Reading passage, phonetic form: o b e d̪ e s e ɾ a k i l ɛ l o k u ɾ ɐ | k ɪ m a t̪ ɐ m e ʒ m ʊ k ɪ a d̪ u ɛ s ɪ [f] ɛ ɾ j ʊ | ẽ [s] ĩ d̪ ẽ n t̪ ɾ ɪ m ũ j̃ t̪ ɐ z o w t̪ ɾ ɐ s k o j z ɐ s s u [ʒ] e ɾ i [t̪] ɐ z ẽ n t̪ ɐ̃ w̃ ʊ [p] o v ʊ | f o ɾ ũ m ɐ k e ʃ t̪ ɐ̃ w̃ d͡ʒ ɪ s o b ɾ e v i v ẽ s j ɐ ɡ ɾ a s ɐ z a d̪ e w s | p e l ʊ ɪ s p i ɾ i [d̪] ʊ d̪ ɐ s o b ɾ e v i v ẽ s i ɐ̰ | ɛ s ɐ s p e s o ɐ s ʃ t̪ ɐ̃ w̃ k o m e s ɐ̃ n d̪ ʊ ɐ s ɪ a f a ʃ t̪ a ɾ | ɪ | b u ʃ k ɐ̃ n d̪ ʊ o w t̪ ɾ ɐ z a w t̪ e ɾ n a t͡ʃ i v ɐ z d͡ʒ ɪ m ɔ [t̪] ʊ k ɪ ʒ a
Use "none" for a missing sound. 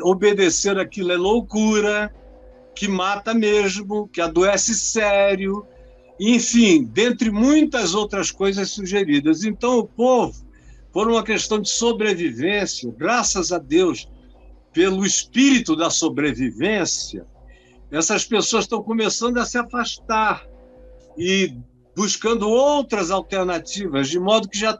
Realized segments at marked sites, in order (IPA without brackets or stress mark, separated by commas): s, f, ʒ, d̪, p, t̪, d̪